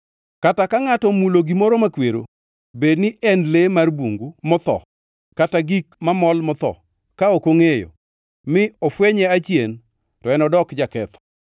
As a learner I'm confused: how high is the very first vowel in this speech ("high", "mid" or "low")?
low